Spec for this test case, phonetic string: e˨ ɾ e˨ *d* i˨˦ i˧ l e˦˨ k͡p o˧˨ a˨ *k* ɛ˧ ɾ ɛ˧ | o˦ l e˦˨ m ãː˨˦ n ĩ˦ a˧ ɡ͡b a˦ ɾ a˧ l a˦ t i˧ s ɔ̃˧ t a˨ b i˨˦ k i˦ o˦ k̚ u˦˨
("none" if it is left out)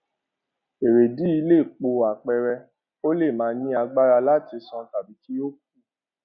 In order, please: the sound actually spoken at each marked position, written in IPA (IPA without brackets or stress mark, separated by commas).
d, k͡p